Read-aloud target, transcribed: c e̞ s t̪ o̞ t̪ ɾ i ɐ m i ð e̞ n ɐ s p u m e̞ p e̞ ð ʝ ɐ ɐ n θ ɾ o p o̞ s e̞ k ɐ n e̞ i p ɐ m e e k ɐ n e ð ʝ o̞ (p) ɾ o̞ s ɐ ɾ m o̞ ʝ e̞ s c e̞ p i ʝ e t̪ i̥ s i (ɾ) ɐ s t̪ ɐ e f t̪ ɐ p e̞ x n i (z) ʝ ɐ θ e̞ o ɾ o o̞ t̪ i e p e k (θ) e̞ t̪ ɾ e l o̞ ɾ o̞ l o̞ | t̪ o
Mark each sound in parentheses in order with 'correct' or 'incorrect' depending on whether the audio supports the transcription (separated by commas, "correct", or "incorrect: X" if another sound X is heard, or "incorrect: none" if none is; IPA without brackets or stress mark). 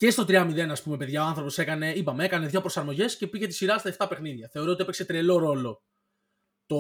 correct, correct, incorrect: ð, incorrect: s